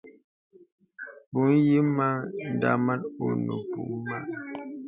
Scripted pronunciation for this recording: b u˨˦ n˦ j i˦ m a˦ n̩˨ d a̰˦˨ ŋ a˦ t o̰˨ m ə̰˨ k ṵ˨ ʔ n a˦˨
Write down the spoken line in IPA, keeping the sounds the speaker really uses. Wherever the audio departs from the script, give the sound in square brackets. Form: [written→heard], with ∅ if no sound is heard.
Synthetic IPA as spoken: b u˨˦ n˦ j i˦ m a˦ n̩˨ d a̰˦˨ [ŋ→m] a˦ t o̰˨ [m→n] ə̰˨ [k→p] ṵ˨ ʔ [n→m] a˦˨

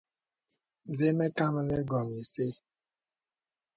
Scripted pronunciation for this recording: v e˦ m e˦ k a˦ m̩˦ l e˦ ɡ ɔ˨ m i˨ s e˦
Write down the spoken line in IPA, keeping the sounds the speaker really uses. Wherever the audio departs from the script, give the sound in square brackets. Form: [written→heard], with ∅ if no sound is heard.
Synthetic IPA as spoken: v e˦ m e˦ k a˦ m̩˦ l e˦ ɡ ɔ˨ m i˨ s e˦

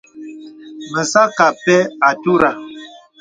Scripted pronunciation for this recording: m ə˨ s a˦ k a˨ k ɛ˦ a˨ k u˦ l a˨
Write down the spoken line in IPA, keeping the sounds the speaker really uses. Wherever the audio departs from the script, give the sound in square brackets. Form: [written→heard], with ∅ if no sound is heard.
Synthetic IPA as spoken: m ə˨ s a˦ k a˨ [k→p] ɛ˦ a˨ [k→t] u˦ [l→ɾ] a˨

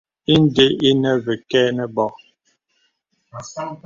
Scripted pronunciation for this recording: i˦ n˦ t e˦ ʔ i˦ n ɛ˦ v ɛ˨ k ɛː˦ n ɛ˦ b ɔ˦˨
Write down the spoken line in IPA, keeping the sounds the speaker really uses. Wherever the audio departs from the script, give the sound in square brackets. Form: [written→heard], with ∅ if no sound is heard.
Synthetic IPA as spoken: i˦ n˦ [t→d] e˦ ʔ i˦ n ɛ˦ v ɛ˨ k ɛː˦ n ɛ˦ b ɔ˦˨

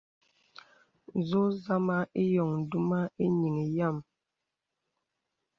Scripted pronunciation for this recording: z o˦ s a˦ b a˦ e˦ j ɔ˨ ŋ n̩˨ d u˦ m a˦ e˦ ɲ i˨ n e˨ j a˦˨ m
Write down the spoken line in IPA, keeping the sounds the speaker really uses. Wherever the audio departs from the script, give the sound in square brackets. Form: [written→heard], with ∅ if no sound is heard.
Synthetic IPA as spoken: z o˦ [s→z] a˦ [b→m] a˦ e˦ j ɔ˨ ŋ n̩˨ d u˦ m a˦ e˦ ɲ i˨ [n→ŋ] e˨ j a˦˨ m

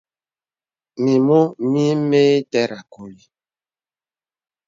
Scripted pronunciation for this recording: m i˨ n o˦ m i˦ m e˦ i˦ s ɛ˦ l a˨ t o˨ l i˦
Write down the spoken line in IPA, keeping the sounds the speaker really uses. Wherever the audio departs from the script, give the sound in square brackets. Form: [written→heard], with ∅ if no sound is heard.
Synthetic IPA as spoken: m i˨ [n→m] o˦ m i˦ m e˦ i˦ [s→t] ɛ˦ [l→ɾ] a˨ [t→k] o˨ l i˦

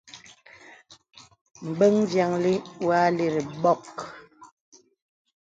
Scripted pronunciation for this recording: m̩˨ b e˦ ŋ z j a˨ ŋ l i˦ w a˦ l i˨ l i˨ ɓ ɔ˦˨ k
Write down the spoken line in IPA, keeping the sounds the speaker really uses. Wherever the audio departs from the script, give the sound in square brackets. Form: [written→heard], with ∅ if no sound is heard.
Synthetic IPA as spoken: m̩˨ b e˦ ŋ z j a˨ ŋ l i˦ w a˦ l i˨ [l→ɾ] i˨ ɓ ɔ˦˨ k

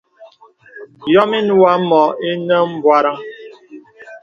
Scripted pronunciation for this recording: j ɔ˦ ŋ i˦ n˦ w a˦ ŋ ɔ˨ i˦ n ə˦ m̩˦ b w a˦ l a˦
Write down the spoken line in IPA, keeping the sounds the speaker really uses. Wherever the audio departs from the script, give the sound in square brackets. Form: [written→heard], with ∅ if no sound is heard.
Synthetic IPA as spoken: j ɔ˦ [ŋ→m] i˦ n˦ w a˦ [ŋ→m] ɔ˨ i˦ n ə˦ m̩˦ b w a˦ [l→ɾ] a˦

